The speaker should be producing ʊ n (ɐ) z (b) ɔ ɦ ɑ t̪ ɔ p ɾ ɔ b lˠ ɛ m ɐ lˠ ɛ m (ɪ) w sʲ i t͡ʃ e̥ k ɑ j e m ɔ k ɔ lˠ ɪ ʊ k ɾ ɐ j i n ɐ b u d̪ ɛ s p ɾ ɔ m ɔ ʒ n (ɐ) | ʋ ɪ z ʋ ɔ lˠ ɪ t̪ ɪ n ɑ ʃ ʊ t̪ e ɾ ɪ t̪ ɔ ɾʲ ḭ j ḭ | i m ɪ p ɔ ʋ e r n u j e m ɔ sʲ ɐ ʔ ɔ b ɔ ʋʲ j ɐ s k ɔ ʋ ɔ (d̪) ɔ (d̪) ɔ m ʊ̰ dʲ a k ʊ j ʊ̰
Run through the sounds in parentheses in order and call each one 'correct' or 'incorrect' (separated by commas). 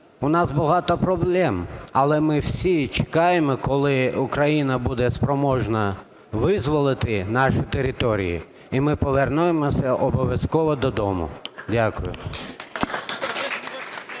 incorrect, correct, correct, correct, correct, correct